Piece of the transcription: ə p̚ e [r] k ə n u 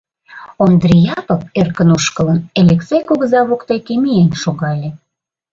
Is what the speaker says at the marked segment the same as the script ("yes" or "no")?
yes